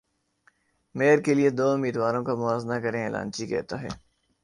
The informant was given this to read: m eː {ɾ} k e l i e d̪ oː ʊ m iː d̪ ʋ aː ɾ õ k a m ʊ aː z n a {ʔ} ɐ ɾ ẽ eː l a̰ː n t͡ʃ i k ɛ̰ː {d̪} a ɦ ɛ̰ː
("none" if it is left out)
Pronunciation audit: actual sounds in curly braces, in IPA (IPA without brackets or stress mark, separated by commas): ɾ, k, t̪